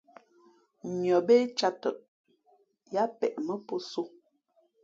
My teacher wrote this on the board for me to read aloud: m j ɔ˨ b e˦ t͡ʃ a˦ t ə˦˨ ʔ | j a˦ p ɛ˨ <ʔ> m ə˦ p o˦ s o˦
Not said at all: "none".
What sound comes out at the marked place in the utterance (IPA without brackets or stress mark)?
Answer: ʔ